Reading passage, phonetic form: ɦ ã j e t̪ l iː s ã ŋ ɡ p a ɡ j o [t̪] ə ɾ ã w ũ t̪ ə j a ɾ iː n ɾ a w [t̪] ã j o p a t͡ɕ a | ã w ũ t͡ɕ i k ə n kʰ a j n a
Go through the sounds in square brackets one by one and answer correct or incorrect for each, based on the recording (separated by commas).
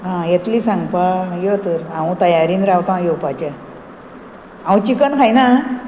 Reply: correct, correct